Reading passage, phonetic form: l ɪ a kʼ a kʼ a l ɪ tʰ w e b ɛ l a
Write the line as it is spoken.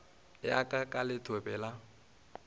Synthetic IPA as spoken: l ɪ a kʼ a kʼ a l ɪ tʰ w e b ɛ l a

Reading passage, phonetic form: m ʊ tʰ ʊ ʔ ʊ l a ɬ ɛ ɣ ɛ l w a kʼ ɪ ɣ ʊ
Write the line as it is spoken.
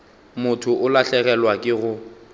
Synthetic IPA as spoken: m ʊ tʰ ʊ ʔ ʊ l a ɬ ɛ ɣ ɛ l w a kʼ ɪ ɣ ʊ

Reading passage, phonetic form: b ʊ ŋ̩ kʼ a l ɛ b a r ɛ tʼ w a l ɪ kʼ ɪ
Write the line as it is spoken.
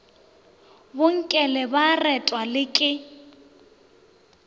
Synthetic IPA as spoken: b ʊ ŋ̩ kʼ ɛ l ɛ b a r ɛ tʼ w a l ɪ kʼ ɪ

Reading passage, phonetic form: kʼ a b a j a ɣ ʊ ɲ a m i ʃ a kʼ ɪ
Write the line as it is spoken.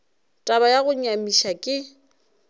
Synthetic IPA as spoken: tʼ a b a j a ɣ ʊ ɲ a m i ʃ a kʼ ɪ

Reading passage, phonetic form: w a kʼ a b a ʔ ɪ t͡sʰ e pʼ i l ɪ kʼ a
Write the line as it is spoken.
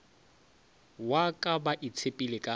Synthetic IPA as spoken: w a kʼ a b a ʔ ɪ t͡sʰ e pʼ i l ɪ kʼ a

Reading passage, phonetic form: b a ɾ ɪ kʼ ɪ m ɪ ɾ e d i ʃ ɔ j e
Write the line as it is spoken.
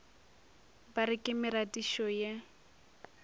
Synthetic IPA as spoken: b a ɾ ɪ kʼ ɪ m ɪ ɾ a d i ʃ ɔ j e

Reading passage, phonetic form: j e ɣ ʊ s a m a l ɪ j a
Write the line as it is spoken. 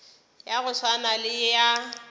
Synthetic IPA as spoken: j a ɣ ʊ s a n a l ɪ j a

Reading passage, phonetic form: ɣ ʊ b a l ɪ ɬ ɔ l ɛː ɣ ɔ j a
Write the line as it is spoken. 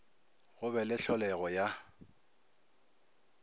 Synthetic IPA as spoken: ɣ ʊ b ɛ l ɪ ɬ ɔ l ɛ ɣ ɔ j a

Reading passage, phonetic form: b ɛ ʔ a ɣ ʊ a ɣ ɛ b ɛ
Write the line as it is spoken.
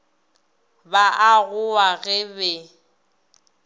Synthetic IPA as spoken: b a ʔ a ɣ ʊ a ɣ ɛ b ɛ

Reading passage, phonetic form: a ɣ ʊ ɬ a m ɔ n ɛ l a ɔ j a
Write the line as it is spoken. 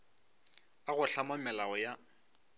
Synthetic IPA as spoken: a ɣ ʊ ɬ a m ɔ m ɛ l a ɔ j a

